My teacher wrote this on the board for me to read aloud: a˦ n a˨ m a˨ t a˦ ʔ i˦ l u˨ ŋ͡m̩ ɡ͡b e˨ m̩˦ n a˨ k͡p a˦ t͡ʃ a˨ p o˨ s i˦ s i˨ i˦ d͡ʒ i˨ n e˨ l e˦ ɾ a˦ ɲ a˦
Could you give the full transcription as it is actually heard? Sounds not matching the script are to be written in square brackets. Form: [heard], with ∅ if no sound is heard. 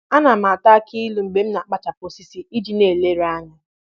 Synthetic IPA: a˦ n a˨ m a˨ t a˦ [k] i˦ l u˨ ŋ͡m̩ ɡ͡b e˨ m̩˦ n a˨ k͡p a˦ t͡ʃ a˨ p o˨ s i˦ s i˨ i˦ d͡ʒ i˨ n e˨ l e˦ ɾ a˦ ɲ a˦